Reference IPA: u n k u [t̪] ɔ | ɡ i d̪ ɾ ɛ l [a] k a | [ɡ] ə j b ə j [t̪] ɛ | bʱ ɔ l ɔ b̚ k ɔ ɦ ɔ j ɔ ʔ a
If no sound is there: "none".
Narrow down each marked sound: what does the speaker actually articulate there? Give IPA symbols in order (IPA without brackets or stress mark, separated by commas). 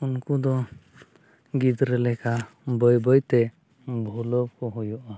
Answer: d̪, ɛ, b, t̪